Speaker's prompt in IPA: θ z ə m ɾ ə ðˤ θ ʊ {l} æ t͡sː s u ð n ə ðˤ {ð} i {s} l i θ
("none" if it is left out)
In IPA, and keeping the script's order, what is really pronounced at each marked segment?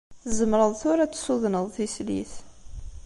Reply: ɾ, θ, s

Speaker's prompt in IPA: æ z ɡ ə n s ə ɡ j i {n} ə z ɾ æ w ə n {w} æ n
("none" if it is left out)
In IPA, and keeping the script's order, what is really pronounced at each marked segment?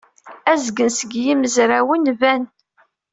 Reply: m, v

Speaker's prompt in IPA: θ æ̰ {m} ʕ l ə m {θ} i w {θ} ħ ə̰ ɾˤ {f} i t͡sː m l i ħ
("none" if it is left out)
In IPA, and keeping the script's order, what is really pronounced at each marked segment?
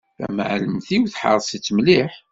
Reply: m, θ, θ, s

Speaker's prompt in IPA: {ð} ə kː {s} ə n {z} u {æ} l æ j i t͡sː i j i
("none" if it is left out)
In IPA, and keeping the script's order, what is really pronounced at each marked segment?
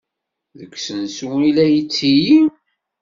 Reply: ð, s, s, i

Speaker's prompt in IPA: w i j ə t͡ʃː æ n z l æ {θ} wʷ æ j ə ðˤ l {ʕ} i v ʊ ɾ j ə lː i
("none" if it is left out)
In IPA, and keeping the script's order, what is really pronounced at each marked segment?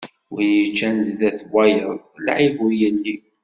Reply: θ, ʕ

